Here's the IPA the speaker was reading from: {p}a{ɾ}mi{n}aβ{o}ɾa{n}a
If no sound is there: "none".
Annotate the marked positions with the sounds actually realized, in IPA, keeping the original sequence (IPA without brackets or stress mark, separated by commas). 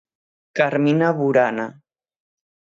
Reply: k, ɾ, n, u, n